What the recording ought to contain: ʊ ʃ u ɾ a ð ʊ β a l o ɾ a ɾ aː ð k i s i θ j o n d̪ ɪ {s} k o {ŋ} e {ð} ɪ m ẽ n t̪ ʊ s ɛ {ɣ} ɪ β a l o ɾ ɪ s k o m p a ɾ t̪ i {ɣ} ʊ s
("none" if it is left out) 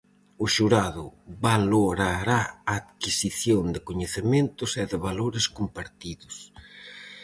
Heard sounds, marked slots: none, ɲ, θ, ð, ð

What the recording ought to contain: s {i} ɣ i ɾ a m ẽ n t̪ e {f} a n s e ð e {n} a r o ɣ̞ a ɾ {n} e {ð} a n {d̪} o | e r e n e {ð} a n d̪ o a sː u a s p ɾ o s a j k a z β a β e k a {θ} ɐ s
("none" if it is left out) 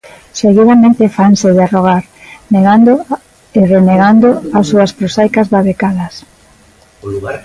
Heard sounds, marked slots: e, f, none, n, ɣ, d̪, ɣ, ð

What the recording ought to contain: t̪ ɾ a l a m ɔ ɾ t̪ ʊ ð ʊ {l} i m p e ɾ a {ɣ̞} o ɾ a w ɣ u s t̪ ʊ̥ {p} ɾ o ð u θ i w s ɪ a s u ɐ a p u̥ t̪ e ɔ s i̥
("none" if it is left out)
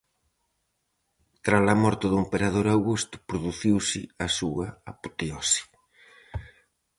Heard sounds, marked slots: none, ð̞, p

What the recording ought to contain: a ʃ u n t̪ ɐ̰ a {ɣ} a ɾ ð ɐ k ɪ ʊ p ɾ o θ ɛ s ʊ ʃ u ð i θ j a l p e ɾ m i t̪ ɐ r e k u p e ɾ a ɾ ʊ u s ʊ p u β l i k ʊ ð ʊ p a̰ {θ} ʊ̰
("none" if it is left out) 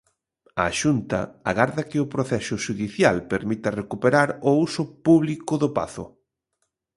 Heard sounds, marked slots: ɣ, θ

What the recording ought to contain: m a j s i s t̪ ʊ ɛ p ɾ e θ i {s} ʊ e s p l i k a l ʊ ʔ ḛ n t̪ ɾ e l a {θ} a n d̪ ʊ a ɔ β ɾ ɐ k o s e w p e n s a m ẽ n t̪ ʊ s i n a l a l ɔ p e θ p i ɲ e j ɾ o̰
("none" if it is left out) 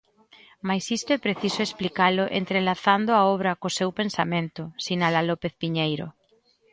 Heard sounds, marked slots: s, θ

